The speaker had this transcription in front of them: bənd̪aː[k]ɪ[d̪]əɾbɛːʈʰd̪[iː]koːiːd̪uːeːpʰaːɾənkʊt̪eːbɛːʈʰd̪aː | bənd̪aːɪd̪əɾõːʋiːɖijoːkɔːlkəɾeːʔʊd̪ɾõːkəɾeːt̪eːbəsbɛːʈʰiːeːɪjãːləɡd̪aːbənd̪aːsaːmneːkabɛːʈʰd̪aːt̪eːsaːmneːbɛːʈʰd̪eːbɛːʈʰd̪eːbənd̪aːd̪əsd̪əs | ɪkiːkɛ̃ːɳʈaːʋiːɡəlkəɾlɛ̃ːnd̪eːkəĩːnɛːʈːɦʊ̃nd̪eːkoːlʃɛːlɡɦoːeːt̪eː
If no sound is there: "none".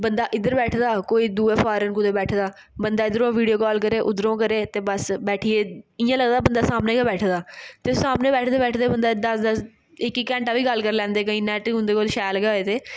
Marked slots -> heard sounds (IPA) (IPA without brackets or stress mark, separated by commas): ʔ, d̪, aː